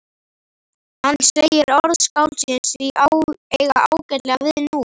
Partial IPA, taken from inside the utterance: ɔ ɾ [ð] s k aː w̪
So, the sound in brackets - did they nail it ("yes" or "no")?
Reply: yes